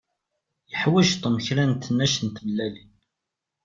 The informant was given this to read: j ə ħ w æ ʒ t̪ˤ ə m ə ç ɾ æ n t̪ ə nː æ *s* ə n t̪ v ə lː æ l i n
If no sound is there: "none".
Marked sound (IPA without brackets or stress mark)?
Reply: ʃ